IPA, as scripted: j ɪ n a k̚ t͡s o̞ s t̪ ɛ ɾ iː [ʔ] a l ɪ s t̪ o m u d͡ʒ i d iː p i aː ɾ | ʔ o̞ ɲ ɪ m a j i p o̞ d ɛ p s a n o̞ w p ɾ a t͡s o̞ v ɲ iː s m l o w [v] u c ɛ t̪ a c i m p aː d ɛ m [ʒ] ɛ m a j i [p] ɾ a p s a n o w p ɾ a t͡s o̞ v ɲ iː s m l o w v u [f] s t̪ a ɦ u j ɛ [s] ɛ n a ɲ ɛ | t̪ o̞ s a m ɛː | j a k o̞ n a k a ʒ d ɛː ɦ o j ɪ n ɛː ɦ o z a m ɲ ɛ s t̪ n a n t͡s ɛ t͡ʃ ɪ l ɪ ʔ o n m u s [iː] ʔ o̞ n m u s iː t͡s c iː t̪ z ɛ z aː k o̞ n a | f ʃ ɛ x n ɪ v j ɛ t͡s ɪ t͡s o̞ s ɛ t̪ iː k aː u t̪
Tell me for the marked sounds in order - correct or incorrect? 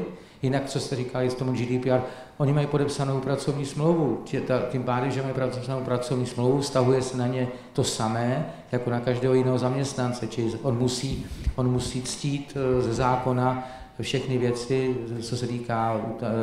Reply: incorrect, correct, correct, correct, correct, correct, correct

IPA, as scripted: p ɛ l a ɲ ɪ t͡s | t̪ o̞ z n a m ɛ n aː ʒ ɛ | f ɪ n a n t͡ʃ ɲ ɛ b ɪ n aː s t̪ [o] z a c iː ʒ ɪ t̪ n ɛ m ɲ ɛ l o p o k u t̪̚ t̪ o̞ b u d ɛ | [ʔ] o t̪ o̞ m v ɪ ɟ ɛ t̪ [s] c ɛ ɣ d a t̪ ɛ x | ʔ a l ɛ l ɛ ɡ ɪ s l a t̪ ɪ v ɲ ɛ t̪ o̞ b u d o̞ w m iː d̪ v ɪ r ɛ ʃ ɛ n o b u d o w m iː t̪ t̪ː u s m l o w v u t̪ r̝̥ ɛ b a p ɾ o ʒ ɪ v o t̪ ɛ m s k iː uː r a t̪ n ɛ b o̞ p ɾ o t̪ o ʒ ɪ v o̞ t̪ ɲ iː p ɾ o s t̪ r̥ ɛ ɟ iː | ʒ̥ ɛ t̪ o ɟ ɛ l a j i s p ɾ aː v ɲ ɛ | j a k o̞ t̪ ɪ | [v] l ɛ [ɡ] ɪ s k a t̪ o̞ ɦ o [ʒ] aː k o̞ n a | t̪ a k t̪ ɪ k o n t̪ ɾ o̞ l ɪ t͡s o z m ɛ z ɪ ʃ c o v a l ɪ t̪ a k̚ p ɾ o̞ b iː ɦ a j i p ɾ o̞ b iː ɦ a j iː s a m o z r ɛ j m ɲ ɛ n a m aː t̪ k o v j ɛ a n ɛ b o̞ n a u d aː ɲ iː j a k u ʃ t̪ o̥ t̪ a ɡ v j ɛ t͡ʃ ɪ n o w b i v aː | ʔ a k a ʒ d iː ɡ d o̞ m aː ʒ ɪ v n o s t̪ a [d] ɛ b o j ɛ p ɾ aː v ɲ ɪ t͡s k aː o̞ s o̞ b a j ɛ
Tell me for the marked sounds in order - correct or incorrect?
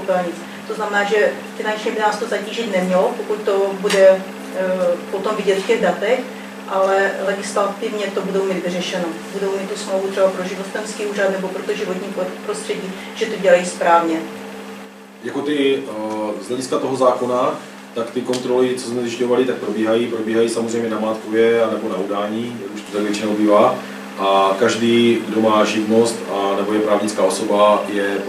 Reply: correct, incorrect, incorrect, incorrect, incorrect, incorrect, incorrect

